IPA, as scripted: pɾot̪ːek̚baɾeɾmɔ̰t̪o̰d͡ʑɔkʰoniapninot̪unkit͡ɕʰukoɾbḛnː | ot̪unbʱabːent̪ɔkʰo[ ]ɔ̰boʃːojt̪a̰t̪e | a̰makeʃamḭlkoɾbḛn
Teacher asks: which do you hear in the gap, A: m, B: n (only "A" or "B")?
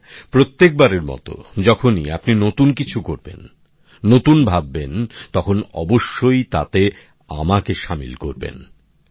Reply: B